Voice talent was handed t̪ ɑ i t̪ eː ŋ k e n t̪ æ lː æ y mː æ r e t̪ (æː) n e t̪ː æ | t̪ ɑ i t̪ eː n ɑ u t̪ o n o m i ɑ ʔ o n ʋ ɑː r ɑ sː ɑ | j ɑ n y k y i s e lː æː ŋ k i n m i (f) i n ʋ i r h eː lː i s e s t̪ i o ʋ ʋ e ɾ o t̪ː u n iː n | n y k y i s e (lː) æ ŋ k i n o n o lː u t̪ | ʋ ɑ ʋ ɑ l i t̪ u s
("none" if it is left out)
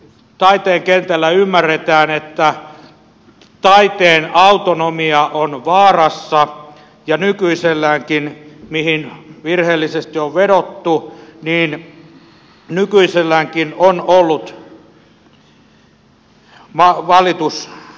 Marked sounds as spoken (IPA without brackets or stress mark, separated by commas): æː, h, lː